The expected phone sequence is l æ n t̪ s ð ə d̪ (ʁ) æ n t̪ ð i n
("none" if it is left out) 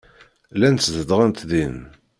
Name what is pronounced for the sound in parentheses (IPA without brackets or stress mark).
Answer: ʁ